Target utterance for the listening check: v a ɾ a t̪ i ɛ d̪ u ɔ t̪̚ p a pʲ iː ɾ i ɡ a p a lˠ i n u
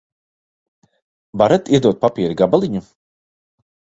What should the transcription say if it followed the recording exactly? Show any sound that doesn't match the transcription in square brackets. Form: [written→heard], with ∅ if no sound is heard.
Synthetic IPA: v a ɾ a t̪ i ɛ d̪ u ɔ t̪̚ p a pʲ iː ɾ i ɡ a [p→b] a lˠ i [n→ɲ] u